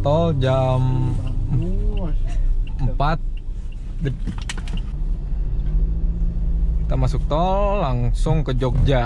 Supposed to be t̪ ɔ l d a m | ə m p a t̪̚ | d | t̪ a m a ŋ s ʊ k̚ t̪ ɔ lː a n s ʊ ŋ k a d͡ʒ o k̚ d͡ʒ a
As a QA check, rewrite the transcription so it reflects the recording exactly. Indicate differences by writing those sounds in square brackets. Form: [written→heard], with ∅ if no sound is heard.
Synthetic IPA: t̪ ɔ l [d→d͡ʒ] a m | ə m p a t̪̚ | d | t̪ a m a [ŋ→∅] s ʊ k̚ t̪ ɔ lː a [n→ŋ] s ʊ ŋ k [a→ə] d͡ʒ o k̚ d͡ʒ a

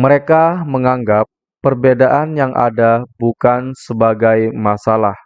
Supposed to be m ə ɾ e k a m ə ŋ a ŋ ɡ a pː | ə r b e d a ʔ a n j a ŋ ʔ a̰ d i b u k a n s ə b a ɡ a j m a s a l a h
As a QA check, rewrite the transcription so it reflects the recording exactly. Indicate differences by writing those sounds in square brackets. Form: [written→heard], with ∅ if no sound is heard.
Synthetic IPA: m ə ɾ e k a m ə ŋ a ŋ ɡ a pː | ə r b e d a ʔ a n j a ŋ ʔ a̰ d [i→a] b u k a n s ə b a ɡ a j m a s a l a h

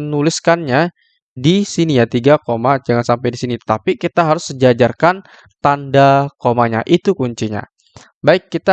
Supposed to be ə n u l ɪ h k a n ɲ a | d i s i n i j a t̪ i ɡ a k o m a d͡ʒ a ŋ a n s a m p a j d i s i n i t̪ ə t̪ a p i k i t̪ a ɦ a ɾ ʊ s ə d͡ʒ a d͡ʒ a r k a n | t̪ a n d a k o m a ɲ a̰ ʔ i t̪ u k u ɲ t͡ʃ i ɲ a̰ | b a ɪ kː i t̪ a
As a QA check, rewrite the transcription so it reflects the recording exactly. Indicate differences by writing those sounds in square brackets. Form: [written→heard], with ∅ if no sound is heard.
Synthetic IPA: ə n u l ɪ [h→s] k a n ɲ a | d i s i n i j a t̪ i ɡ a k o m a d͡ʒ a ŋ a n s a m p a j d i s i n i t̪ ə t̪ a p i k i t̪ a ɦ a ɾ ʊ s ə d͡ʒ a d͡ʒ a r k a n | t̪ a n d a k o m a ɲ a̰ ʔ i t̪ u k u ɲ t͡ʃ i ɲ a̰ | b a ɪ kː i t̪ a

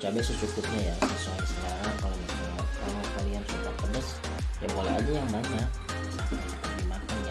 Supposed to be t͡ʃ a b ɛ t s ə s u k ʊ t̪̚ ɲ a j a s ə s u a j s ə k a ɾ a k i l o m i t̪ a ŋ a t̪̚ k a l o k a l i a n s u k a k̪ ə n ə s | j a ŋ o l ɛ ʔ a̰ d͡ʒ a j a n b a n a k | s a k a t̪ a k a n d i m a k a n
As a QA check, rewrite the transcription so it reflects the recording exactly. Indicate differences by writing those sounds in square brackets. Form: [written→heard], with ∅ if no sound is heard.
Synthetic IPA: t͡ʃ a b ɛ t s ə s u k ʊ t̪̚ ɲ a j a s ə s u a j s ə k a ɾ a k [i→a] l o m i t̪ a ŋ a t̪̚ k a l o k a l i a n s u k a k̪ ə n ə s | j a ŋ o l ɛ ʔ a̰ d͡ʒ a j a [n→ŋ] b a [n→ɲ] a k | s a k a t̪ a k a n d i m a k a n

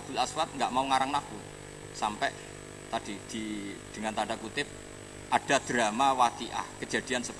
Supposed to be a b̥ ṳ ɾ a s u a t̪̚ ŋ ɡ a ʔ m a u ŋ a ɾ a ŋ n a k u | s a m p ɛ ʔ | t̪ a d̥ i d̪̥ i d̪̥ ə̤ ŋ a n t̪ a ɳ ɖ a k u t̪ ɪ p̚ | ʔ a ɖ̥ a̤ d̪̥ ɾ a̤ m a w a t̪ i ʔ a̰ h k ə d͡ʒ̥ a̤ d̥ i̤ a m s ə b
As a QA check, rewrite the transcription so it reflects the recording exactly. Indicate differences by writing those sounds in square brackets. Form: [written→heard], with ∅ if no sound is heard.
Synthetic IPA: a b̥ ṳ [ɾ→l] a s [u→w] a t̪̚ ŋ ɡ a ʔ m a u ŋ a ɾ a ŋ n a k u | s a m p ɛ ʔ | t̪ a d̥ i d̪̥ i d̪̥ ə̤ ŋ a n t̪ a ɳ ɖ a k u t̪ ɪ p̚ | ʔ a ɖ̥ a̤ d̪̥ ɾ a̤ m a w a t̪ i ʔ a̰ h k ə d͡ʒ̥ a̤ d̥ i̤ a [m→n] s ə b

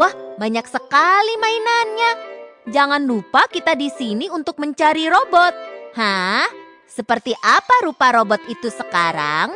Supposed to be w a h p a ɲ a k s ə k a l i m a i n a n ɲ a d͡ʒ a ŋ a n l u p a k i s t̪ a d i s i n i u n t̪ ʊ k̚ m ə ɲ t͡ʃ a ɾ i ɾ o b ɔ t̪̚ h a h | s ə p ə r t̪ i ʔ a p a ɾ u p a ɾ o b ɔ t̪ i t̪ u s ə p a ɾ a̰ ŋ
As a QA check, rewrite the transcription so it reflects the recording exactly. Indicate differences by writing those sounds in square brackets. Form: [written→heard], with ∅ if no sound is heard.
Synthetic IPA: w a h [p→b] a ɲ a k s ə k a l i m a i n a n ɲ a d͡ʒ a ŋ a n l u p a k i [s→∅] t̪ a d i s i n i u n t̪ ʊ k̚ m ə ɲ t͡ʃ a ɾ i ɾ o b ɔ t̪̚ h a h | s ə p ə r t̪ i ʔ a p a ɾ u p a ɾ o b ɔ t̪ i t̪ u s ə [p→k] a ɾ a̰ ŋ

